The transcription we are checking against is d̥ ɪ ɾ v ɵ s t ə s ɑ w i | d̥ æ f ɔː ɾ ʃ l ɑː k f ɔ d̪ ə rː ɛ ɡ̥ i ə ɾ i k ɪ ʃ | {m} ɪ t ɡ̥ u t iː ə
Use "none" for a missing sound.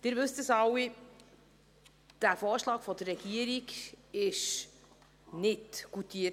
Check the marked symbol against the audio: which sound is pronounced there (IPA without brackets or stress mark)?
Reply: n